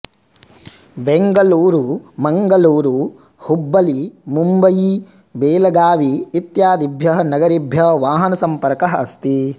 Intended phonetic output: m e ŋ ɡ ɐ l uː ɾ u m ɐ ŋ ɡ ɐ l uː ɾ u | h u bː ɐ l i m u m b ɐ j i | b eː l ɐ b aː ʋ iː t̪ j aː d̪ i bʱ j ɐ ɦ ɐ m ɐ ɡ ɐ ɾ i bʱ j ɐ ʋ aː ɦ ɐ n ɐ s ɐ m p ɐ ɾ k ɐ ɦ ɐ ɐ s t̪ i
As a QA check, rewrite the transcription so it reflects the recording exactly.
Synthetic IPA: b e ŋ ɡ ɐ l uː ɾ u m ɐ ŋ ɡ ɐ l uː ɾ u | h u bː ɐ l i m u m b ɐ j i | b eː l ɐ ɡ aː ʋ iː t̪ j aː d̪ i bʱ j ɐ ɦ ɐ n ɐ ɡ ɐ ɾ i bʱ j ɐ ʋ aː ɦ ɐ n ɐ s ɐ m p ɐ ɾ k ɐ ɦ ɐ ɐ s t̪ i